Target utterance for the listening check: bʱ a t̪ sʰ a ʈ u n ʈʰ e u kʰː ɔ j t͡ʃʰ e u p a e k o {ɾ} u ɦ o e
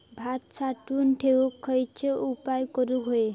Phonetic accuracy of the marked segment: correct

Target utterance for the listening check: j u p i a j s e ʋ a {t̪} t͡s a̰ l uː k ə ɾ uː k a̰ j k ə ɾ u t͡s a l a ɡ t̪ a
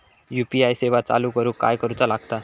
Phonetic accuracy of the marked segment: incorrect: none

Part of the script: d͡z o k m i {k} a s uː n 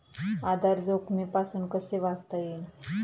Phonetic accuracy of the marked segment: incorrect: p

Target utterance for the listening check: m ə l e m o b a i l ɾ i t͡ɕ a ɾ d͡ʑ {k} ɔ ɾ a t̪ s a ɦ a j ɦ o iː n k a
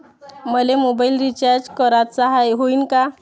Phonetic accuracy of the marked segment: correct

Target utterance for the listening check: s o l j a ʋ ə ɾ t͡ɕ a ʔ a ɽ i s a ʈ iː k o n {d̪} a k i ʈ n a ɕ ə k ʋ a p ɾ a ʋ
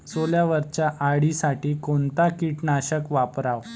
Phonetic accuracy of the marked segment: incorrect: t̪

